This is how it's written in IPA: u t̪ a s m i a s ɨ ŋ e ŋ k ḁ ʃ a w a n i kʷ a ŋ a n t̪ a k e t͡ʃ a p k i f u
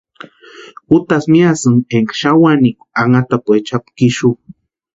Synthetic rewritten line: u t̪ a s m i a s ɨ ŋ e ŋ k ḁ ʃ a w a n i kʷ a ŋ a t̪ a p e t͡ʃ a p k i ʃ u